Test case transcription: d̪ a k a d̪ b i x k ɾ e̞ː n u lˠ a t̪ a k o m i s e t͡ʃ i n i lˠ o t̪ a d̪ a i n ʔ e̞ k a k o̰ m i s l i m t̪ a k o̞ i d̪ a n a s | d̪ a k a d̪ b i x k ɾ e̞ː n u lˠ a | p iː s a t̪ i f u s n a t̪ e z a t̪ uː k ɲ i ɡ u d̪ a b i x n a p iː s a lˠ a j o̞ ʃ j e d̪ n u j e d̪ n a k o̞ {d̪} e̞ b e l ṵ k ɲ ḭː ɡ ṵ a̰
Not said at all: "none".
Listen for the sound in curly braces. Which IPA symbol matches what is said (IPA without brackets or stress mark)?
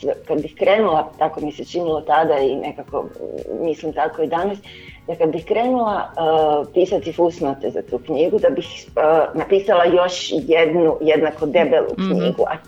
d̪